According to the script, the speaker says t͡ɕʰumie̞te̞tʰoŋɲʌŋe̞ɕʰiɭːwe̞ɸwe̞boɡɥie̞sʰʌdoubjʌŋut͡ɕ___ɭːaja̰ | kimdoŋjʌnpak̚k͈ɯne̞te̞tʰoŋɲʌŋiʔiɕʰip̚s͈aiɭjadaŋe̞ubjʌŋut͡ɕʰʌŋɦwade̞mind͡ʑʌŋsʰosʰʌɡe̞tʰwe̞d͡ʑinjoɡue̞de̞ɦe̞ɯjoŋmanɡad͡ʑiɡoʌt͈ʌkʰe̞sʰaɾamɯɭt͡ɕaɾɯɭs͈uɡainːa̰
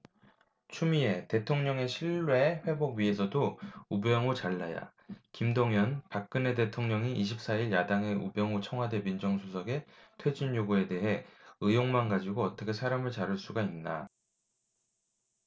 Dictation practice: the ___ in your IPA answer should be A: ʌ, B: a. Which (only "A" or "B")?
B